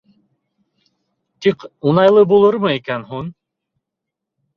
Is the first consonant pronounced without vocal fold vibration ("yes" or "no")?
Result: yes